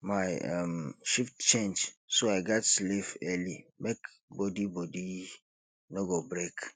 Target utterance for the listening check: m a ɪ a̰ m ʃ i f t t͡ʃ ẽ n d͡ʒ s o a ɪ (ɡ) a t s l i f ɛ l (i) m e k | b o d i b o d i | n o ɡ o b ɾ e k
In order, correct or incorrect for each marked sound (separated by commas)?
correct, correct